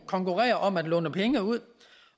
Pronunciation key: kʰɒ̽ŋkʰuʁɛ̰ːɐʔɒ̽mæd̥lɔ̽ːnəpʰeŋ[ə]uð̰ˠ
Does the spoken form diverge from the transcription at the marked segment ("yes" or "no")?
no